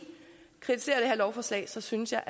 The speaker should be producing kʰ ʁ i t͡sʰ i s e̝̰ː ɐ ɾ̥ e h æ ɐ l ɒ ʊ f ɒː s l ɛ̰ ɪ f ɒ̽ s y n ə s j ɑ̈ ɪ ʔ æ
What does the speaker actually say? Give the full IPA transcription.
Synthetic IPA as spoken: kʰ ʁ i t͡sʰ i s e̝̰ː ɐ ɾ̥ e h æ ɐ l ɒ ʊ f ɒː s l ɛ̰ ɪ s ɒ̽ s y n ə s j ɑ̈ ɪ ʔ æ